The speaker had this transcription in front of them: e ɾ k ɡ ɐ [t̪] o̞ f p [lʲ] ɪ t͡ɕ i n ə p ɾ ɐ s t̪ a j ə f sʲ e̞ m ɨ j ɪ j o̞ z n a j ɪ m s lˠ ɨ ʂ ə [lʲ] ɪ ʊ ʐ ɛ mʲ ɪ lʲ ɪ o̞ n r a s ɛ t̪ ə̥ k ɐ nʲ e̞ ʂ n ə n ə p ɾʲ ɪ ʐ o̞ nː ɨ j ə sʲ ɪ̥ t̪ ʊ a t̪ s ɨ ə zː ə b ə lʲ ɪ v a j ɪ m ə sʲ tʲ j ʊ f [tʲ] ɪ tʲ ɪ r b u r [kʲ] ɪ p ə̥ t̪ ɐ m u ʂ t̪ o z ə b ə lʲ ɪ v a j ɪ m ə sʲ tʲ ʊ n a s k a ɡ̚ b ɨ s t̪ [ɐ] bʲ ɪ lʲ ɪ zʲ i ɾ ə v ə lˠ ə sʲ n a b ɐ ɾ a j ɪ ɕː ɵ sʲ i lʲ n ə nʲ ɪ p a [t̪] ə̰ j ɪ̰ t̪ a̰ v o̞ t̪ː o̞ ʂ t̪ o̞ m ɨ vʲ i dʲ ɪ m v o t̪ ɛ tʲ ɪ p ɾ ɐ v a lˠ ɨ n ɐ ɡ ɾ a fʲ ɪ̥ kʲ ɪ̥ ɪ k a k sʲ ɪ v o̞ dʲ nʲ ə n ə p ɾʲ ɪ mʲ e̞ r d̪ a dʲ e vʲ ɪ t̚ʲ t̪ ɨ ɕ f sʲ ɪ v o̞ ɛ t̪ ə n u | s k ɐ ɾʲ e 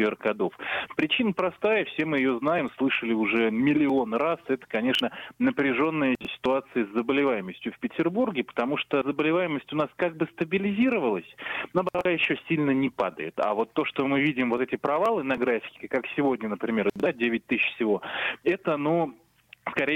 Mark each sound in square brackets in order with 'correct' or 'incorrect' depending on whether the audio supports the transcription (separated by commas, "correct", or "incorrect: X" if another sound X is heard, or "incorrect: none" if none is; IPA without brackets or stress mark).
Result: incorrect: d̪, incorrect: ɾʲ, correct, incorrect: pʲ, incorrect: ɡʲ, incorrect: ə, incorrect: d̪